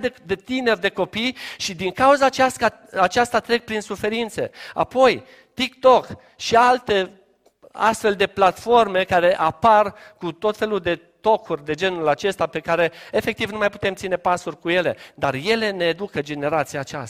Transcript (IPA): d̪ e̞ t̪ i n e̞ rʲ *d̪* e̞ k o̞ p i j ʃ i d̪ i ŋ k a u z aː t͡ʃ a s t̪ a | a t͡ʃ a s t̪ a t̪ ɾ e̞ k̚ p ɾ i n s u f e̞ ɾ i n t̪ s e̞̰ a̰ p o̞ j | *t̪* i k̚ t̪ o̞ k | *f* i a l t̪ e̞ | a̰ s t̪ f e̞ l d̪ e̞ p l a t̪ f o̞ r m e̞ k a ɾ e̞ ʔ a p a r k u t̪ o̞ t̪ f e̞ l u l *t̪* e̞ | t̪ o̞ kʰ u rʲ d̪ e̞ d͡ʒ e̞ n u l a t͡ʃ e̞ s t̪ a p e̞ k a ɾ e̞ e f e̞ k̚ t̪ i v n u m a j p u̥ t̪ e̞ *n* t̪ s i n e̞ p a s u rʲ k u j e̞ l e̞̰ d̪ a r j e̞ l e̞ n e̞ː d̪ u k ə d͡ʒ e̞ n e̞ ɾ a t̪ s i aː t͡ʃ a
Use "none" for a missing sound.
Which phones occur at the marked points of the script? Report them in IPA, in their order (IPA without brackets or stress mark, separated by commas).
d̪, t̪, ʃ, d̪, m